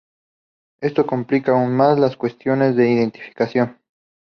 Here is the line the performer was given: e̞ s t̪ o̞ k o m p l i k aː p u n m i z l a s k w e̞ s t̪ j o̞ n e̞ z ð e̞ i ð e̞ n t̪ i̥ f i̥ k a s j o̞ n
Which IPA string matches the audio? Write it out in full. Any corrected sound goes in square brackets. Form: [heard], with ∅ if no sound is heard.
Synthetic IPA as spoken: e̞ s t̪ o̞ k o m p l i k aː [∅] u n m [a] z l a s k w e̞ s t̪ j o̞ n e̞ z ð e̞ i ð e̞ n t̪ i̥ f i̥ k a s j o̞ n